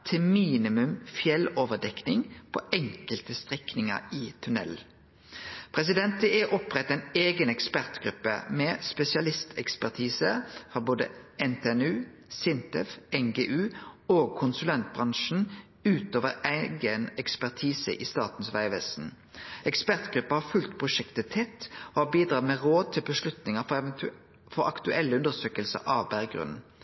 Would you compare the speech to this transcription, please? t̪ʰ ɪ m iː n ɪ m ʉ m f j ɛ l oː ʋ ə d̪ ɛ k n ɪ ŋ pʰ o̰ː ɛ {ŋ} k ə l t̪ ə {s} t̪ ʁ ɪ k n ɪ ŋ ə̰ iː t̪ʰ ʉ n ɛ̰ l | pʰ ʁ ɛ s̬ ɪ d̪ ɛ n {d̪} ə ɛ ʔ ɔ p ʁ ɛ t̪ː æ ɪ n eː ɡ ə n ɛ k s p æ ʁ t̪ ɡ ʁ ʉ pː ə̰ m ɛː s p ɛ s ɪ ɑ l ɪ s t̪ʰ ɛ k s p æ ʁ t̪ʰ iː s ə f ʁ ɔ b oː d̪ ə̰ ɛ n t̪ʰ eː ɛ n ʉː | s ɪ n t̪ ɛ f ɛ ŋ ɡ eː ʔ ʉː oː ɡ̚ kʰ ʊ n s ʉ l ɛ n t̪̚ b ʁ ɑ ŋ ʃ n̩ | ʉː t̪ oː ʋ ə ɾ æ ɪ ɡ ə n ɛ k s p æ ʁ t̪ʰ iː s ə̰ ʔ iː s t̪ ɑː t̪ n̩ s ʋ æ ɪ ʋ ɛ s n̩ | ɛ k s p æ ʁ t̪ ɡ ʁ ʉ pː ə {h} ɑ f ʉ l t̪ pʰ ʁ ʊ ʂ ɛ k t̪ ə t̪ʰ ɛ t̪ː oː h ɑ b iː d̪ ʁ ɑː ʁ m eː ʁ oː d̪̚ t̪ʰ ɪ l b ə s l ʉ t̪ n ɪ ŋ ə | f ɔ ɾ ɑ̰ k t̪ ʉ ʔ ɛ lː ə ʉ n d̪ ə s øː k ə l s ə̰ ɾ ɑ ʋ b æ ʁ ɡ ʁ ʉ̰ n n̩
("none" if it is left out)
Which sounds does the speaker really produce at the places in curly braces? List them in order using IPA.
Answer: ŋ, s, t̪, h

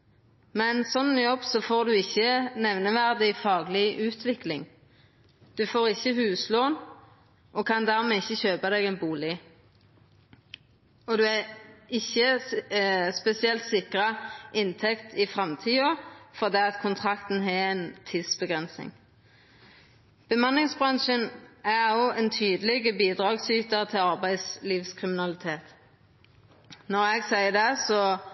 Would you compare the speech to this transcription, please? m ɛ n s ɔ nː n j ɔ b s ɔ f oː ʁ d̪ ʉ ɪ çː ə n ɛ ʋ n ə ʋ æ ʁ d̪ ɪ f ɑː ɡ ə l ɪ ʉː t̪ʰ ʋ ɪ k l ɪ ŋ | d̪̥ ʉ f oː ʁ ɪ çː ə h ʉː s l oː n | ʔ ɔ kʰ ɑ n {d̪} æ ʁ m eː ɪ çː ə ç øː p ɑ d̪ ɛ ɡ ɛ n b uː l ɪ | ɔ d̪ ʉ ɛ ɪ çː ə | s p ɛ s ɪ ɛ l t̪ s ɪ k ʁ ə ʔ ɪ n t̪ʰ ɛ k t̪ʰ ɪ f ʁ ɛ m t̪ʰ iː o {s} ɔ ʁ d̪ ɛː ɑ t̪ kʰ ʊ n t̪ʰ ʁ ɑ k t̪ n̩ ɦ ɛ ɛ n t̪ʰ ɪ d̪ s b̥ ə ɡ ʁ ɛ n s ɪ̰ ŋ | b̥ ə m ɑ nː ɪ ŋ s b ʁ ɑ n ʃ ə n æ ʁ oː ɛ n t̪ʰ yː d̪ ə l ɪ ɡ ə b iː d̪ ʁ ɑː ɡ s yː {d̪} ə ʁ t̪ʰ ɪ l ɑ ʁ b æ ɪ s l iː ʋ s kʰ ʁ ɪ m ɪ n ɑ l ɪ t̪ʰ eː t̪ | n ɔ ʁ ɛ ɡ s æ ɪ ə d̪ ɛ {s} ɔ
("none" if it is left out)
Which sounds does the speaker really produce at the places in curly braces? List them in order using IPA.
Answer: d̪, f, t̪, s

